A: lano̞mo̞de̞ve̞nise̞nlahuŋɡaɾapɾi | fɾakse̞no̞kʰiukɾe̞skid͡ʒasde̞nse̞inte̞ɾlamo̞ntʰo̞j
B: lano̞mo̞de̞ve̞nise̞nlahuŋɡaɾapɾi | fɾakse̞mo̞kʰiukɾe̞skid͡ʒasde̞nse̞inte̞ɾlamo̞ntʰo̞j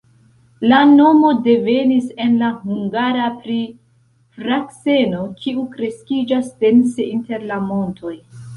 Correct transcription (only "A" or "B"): A